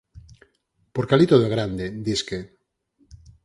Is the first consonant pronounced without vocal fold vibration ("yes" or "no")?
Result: yes